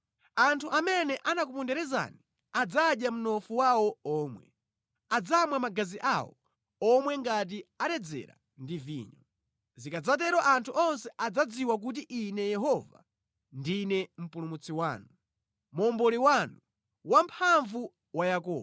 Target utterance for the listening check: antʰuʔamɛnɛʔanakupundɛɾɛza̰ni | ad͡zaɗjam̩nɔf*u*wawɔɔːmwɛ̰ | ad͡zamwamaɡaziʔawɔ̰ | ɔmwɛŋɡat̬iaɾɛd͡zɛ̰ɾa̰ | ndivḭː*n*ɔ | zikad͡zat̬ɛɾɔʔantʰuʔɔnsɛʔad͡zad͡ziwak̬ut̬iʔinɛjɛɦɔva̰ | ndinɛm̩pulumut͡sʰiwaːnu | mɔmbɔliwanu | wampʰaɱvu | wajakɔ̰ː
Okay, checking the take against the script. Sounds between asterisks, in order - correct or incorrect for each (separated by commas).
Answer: correct, incorrect